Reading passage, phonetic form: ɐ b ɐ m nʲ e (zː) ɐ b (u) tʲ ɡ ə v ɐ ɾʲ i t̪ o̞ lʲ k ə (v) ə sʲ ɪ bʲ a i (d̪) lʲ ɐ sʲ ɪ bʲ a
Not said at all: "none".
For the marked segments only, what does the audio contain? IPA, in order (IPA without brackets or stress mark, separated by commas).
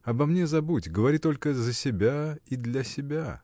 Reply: z, u, z, d̪